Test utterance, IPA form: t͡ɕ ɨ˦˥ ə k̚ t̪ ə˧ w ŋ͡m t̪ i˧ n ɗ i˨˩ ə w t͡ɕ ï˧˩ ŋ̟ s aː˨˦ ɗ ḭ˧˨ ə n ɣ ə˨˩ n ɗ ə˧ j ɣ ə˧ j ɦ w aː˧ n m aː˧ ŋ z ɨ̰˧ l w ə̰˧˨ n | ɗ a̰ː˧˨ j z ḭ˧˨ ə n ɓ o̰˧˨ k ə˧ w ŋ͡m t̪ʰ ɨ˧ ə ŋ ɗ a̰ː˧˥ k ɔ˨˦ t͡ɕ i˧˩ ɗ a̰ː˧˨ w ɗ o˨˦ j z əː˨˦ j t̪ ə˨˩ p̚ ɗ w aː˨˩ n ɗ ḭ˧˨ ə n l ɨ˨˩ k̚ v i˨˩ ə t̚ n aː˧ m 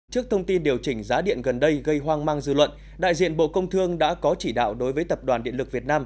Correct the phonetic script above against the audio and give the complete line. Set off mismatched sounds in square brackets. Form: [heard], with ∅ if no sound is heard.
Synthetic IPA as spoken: t͡ɕ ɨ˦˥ ə k̚ [t̪ʰ] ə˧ w ŋ͡m t̪ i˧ n ɗ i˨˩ ə w t͡ɕ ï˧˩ ŋ̟ [z] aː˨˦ ɗ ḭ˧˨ ə n ɣ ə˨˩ n ɗ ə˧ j ɣ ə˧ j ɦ w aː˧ [ŋ] m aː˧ ŋ z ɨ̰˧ l w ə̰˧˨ n | ɗ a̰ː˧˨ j z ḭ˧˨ ə n ɓ o̰˧˨ k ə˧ w ŋ͡m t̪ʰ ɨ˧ ə ŋ ɗ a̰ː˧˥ k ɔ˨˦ t͡ɕ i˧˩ ɗ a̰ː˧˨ w ɗ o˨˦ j [v] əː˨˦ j t̪ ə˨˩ p̚ ɗ w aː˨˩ n ɗ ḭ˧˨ ə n l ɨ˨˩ k̚ v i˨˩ ə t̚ n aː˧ m